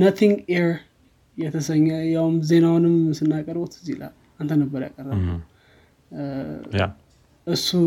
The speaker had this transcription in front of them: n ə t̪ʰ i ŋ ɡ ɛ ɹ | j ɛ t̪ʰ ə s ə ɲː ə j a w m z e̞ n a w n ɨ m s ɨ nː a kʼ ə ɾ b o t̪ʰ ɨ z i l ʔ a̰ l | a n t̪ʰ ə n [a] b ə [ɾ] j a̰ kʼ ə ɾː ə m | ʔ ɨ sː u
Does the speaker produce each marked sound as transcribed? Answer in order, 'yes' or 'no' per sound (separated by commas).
no, yes